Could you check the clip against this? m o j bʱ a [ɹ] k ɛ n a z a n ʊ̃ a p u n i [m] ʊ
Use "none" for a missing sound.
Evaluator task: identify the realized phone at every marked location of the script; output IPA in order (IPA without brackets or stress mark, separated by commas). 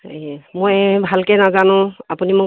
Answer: l, m